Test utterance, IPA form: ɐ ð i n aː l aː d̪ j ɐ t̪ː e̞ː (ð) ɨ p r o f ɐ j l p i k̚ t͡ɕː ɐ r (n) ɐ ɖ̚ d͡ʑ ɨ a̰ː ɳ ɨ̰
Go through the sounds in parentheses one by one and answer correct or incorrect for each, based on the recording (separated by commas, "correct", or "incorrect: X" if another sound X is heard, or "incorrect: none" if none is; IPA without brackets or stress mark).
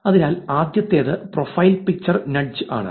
correct, correct